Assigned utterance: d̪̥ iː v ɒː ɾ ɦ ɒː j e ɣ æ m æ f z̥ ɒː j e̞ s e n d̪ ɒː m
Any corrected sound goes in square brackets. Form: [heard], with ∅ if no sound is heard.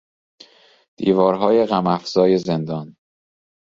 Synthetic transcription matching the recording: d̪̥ iː v ɒː ɾ ɦ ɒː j e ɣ æ m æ f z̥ ɒː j e̞ [z] e n d̪ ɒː [n]